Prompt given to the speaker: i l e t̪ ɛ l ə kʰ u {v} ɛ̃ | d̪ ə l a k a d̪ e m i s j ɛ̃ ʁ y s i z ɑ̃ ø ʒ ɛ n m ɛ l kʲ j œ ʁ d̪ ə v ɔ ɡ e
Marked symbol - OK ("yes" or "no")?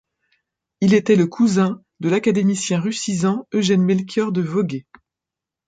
no